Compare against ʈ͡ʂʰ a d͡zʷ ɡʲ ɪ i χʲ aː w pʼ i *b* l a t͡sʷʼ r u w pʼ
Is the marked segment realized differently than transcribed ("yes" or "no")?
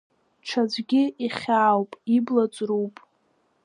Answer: no